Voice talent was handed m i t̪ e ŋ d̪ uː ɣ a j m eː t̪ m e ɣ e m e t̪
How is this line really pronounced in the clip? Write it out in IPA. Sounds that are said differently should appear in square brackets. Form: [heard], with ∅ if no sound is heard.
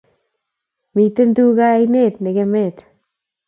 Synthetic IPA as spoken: m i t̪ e [n] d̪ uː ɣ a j [n] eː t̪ [n] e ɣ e m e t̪